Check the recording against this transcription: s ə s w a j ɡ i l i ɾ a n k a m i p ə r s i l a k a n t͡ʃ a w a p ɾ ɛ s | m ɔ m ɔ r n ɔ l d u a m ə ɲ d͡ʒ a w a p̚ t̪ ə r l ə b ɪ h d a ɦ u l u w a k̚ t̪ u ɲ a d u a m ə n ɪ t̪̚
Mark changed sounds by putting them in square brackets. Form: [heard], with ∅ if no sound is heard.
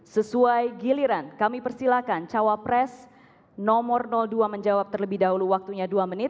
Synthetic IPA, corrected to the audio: s ə s [u] a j ɡ i l i ɾ a n k a m i p ə r s i l a k a n t͡ʃ a w a p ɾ ɛ s | [n] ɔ m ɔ r n ɔ l d u a m ə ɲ d͡ʒ a w a p̚ t̪ ə r l ə b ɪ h d a ɦ u l u w a k̚ t̪ u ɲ a d u a m ə n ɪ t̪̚